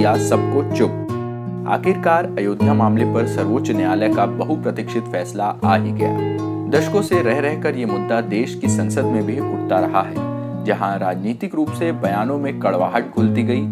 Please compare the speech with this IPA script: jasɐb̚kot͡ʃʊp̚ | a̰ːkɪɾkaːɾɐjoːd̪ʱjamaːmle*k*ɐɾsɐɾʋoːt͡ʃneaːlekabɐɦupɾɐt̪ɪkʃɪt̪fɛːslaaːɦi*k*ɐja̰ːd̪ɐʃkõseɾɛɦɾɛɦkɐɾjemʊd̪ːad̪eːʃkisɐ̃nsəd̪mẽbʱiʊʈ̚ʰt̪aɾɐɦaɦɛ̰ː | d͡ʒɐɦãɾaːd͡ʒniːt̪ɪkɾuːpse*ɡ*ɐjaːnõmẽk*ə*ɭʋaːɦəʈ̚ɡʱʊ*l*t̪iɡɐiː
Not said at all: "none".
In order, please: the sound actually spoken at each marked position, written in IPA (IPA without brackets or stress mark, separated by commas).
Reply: p, ɡ, b, ɐ, l